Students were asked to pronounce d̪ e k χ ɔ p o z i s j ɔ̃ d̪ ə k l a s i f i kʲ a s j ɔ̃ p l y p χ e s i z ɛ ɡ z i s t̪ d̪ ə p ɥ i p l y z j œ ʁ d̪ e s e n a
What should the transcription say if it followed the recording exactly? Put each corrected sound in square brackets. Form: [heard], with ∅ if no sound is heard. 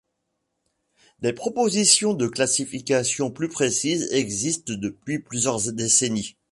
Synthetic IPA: d̪ e [p] χ ɔ p o z i s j ɔ̃ d̪ ə k l a s i f i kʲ a s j ɔ̃ p l y p χ e s i z ɛ ɡ z i s t̪ d̪ ə p ɥ i p l y z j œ ʁ d̪ e s e n [i]